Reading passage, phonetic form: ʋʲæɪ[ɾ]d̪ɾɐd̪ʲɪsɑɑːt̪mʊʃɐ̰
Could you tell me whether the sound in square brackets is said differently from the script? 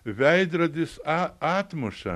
yes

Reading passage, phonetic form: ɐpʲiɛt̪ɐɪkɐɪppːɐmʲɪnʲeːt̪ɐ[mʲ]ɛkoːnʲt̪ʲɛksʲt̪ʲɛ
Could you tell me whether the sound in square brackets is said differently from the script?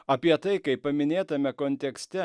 no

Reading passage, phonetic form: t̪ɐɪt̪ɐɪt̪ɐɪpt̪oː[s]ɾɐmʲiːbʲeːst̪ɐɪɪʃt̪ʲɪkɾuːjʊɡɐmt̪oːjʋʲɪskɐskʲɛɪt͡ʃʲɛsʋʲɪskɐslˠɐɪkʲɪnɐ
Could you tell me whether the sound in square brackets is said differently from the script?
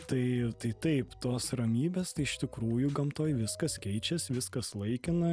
no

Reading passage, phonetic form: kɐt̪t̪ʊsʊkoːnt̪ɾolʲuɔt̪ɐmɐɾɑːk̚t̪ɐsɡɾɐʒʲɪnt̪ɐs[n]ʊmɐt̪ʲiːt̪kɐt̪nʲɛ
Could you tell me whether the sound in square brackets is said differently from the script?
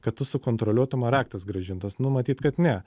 no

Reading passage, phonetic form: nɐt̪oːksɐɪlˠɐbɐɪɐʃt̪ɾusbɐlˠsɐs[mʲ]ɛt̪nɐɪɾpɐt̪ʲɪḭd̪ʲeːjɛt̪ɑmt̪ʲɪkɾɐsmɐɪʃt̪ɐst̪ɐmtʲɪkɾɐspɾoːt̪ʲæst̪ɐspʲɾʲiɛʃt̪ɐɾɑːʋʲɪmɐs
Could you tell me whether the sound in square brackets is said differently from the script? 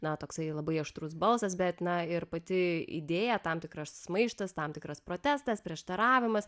yes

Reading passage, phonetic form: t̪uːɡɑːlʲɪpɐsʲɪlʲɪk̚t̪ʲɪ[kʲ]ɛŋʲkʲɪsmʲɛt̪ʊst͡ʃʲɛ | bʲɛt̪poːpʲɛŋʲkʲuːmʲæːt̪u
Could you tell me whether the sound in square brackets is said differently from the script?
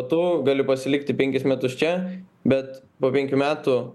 yes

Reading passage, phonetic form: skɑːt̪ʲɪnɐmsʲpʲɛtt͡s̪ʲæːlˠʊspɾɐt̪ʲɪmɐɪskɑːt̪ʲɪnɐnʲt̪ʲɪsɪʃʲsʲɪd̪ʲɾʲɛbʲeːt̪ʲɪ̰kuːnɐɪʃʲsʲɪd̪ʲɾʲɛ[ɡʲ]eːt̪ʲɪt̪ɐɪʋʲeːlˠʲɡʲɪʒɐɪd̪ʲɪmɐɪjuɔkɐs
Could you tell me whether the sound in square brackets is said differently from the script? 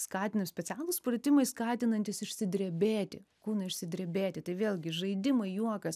yes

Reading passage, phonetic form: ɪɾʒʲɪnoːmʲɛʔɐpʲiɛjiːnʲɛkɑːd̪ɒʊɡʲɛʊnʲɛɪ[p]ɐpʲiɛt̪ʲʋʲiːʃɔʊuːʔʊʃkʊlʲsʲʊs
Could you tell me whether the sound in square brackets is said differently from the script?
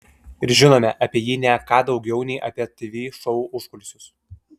yes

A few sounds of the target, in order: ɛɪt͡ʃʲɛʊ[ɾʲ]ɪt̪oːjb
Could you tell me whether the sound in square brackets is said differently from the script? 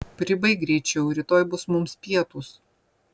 no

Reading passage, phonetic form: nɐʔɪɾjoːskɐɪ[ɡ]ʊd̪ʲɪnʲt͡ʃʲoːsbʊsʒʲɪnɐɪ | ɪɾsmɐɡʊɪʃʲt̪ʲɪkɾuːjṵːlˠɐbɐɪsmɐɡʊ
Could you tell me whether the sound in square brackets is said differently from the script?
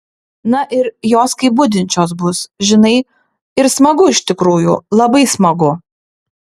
yes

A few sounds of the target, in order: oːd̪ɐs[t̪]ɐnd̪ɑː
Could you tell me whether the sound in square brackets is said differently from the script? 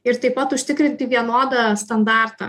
no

